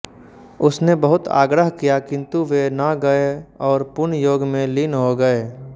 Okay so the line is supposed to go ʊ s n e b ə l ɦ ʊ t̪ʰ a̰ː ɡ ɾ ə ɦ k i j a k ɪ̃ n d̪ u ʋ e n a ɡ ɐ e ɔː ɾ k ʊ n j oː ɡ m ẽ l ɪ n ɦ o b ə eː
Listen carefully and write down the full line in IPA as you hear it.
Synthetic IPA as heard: ʊ s n e b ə ɦ ʊ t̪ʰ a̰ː ɡ ɾ ə ɦ k i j a k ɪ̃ n t̪ u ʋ e n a ɡ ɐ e ɔː ɾ p ʊ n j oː ɡ m ẽ l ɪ n ɦ o ɡ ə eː